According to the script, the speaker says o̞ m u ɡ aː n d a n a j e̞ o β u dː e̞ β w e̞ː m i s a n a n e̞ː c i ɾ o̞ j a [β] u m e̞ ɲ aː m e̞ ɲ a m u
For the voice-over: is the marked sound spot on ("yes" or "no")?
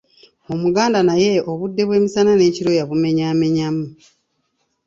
yes